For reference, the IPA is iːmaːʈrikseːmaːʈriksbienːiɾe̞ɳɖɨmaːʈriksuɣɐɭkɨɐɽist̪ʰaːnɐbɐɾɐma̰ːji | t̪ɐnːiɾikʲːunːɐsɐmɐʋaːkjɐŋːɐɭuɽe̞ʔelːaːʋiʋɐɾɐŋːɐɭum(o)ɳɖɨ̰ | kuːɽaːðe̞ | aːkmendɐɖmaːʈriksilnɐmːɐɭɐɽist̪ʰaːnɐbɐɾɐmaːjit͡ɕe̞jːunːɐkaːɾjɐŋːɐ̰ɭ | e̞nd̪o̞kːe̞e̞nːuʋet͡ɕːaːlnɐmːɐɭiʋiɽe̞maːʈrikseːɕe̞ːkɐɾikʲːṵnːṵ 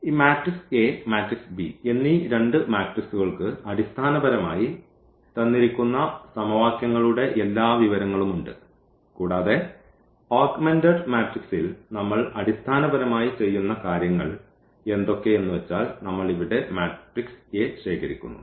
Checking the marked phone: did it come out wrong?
yes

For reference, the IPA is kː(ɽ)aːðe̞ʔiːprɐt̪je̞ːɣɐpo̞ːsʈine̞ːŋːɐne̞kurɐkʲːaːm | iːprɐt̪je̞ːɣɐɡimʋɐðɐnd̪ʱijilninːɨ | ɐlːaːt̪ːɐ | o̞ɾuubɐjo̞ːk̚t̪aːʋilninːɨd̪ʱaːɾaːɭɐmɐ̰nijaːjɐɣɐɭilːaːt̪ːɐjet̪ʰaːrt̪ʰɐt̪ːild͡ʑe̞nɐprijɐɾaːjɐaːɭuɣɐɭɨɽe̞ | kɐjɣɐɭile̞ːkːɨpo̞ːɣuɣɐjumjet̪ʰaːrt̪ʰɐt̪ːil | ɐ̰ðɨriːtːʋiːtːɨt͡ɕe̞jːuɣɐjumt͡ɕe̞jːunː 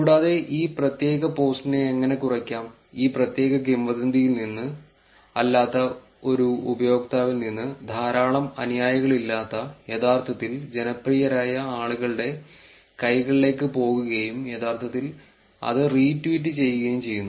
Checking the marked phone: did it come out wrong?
no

